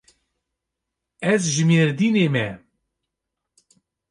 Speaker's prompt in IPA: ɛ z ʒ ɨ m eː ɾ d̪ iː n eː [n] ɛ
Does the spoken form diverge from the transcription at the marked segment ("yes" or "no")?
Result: yes